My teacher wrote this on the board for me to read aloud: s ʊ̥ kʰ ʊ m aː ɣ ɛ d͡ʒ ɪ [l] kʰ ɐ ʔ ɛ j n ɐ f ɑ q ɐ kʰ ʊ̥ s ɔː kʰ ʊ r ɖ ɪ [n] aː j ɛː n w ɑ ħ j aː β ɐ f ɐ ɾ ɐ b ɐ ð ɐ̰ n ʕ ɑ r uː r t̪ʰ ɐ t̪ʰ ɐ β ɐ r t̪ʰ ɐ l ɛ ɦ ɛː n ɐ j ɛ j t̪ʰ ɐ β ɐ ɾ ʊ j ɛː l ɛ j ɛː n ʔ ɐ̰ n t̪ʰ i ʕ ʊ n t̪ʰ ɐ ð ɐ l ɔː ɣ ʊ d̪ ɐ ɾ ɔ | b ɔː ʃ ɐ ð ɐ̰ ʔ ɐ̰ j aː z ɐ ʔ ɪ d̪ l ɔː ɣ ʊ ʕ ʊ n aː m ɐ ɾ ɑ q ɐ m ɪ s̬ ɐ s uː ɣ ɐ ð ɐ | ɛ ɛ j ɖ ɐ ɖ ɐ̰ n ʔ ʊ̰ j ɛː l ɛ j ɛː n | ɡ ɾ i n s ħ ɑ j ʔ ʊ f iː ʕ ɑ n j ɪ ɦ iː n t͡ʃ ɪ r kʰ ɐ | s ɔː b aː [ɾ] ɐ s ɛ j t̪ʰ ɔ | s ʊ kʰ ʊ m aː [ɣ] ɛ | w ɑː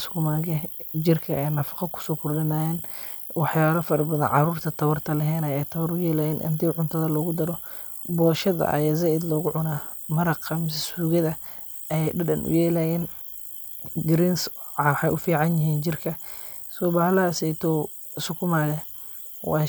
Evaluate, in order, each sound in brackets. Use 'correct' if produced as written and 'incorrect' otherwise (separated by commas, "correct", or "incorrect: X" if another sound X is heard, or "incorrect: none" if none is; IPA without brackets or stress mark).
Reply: incorrect: r, correct, incorrect: l, correct